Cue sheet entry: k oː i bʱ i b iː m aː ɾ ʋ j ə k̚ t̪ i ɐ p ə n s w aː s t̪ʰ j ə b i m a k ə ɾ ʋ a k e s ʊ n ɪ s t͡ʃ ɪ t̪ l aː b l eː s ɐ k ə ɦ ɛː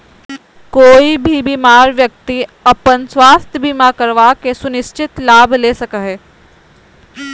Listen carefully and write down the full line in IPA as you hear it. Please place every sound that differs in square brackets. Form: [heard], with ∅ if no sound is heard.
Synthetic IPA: k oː i bʱ i b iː m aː ɾ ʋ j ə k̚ t̪ i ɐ p ə n s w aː s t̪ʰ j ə b i m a k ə ɾ ʋ a k e s ʊ n ɪ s t͡ʃ ɪ t̪ l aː b l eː s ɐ k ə ɦ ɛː